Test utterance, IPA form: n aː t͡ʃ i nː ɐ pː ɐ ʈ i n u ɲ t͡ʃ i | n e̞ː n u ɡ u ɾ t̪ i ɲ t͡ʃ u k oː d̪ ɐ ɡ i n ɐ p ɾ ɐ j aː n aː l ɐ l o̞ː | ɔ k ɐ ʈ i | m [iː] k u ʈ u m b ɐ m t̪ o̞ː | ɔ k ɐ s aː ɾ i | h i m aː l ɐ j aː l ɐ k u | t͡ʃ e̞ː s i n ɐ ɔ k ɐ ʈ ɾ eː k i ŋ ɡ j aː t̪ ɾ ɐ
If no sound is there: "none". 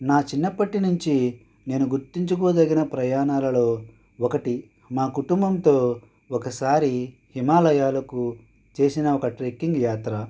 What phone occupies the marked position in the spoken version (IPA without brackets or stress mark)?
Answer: aː